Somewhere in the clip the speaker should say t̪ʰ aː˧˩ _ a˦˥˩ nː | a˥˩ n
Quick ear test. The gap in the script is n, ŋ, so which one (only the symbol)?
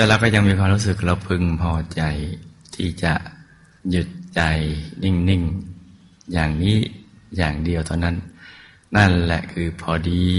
n